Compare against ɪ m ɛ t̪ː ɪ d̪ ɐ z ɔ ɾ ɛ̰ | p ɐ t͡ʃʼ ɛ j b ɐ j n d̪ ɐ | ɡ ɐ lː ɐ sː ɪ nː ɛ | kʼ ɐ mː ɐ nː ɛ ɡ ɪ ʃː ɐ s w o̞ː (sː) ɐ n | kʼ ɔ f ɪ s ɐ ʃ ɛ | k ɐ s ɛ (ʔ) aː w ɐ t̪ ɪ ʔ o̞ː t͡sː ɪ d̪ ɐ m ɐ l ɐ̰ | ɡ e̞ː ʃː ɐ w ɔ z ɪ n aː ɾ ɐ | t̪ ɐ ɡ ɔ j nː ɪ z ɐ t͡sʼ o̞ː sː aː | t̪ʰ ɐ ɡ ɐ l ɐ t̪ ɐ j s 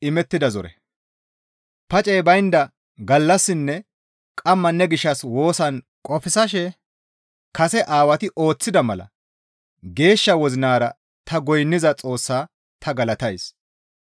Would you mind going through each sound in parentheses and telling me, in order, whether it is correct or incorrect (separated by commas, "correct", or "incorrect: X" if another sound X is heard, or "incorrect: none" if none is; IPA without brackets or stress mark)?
incorrect: s, correct